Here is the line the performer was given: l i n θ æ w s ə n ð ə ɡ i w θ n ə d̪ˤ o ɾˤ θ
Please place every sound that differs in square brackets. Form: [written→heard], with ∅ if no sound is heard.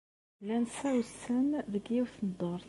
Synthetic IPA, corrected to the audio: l [i→æ] n [θ→s] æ w s ə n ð ə ɡ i w θ n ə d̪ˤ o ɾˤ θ